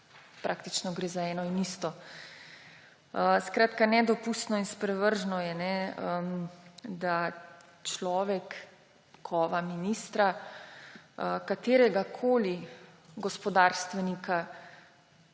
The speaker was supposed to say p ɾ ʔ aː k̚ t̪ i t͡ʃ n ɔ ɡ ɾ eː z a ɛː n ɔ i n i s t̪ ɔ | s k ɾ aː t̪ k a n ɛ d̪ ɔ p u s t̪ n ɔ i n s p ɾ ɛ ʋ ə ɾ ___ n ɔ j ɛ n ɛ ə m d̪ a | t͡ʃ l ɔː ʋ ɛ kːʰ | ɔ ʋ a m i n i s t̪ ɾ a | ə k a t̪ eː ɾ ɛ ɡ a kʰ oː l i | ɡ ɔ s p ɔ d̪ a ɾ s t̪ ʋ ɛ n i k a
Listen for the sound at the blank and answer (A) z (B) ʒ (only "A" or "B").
B